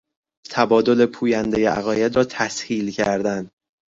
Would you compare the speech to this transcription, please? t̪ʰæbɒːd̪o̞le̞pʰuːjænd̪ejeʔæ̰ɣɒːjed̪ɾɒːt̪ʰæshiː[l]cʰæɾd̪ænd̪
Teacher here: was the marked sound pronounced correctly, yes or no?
yes